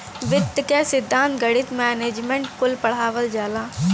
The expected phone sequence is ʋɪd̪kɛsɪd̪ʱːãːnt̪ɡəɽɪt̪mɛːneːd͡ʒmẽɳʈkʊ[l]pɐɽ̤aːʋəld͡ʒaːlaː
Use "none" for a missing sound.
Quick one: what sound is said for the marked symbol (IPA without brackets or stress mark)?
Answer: l